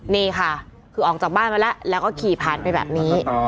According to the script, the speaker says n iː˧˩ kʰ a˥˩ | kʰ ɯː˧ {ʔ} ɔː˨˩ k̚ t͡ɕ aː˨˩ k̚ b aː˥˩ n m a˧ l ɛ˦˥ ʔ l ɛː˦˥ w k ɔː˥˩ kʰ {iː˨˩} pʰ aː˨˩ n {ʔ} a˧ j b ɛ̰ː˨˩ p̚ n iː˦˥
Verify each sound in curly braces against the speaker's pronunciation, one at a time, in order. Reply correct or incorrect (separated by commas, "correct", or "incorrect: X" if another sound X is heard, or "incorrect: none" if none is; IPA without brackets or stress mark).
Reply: correct, correct, incorrect: p